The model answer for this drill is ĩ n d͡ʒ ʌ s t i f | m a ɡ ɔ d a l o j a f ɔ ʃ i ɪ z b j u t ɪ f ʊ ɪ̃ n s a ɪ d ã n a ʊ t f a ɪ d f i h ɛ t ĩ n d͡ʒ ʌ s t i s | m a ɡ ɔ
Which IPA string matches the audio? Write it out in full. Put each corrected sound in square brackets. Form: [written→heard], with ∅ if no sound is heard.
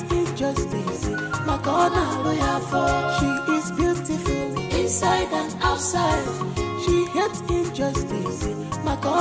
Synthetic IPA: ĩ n d͡ʒ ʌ s t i [f→s] | m a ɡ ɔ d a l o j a f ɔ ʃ i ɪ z b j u t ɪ f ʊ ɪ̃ n s a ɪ d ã n a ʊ t [f→s] a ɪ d [f→ʃ] i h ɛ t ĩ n d͡ʒ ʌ s t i s | m a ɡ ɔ